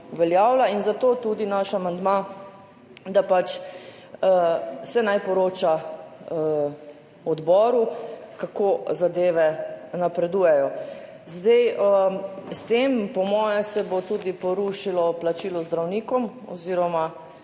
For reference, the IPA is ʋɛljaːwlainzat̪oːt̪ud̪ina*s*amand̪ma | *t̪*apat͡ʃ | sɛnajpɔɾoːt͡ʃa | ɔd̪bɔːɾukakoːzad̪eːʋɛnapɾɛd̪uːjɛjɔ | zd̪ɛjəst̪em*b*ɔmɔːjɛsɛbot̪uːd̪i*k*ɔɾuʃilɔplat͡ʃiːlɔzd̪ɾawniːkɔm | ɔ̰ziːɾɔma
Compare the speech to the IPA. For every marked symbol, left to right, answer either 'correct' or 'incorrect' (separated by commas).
incorrect, incorrect, incorrect, incorrect